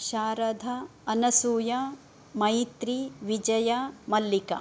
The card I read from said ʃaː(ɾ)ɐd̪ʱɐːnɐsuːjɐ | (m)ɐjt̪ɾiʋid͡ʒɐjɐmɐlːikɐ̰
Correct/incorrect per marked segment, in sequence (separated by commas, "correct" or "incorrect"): correct, correct